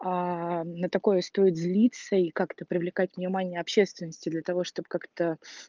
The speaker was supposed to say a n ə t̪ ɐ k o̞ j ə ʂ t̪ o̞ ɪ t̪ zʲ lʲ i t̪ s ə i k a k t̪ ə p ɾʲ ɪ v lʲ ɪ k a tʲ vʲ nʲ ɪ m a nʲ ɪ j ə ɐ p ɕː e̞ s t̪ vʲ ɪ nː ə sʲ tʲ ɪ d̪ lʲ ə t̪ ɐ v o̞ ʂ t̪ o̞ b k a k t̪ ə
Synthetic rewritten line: a n ə t̪ ɐ k o̞ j ə s t̪ o̞ ɪ t̪ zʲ lʲ i t̪ s ə i k a k t̪ ə p ɾʲ ɪ v lʲ ɪ k a tʲ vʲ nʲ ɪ m a nʲ ɪ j ə ɐ p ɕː e̞ s t̪ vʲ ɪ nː ə sʲ tʲ ɪ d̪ lʲ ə t̪ ɐ v o̞ ʂ t̪ o̞ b k a k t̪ ə